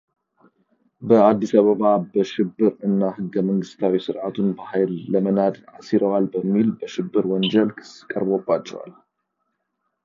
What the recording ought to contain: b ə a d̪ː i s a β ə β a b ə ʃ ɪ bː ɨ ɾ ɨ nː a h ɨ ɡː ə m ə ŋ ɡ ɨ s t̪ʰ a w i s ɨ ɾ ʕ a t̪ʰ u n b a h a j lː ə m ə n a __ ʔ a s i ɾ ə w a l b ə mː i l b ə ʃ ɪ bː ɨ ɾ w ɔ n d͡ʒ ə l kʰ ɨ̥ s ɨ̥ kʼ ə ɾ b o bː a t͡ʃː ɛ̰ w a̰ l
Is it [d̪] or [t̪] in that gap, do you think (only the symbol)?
d̪